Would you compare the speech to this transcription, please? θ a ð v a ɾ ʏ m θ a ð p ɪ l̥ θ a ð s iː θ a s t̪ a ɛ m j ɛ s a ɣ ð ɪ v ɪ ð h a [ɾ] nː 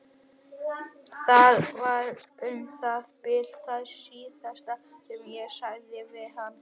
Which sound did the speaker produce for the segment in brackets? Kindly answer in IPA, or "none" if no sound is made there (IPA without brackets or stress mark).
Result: none